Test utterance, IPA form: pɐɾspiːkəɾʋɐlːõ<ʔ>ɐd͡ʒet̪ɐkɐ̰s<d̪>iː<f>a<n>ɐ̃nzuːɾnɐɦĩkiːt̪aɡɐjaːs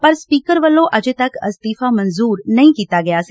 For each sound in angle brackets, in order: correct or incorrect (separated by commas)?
correct, incorrect, correct, incorrect